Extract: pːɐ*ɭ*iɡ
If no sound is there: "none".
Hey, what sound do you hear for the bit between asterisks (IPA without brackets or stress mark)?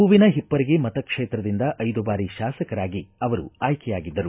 ɾ